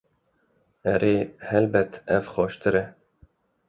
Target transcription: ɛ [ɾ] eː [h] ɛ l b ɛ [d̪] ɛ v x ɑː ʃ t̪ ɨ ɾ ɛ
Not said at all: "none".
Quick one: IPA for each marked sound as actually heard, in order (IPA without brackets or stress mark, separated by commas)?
ɾ, h, t̪